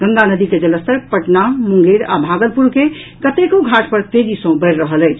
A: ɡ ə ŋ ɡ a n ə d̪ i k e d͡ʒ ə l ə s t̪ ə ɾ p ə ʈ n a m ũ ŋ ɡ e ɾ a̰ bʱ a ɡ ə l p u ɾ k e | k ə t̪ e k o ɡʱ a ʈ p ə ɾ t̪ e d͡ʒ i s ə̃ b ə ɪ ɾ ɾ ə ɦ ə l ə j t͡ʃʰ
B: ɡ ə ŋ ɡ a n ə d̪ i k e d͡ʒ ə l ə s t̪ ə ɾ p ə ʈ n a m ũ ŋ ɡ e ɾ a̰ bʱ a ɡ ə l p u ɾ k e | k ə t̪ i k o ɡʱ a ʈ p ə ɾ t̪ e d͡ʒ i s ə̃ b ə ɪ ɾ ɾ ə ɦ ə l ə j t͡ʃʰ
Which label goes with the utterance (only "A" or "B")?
A